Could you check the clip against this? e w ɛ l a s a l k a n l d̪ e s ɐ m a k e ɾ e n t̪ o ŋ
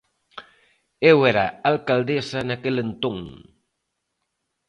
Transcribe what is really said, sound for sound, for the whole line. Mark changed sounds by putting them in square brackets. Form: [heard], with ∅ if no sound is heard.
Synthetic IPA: e w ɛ [ɾ] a [∅] a l k a [∅] l d̪ e s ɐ [n] a k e [l] e n t̪ o ŋ